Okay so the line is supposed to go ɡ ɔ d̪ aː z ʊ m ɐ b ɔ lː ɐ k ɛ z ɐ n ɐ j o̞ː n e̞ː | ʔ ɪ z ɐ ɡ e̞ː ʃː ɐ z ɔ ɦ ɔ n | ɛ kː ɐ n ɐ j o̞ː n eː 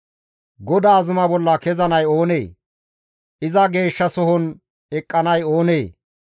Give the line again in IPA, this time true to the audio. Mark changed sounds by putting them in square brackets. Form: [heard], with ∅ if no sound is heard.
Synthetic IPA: ɡ ɔ d̪ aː z ʊ m ɐ b ɔ lː ɐ k ɛ z ɐ n ɐ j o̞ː n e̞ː | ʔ ɪ z ɐ ɡ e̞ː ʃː ɐ [s] ɔ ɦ ɔ n | ɛ [kʼː] ɐ n ɐ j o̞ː n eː